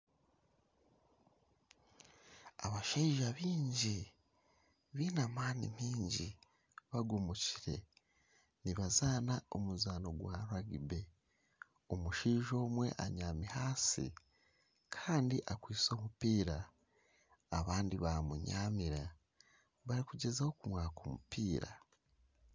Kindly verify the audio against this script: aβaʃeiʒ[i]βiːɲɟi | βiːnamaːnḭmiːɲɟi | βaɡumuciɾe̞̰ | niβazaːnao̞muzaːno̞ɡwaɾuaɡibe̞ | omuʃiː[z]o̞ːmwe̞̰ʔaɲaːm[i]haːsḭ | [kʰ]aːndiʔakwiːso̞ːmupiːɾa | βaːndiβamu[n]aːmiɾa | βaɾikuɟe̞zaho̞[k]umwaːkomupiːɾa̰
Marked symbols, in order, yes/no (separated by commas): no, no, yes, yes, no, yes